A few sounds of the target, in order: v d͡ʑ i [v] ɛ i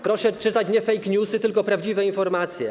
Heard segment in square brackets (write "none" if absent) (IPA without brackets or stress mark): v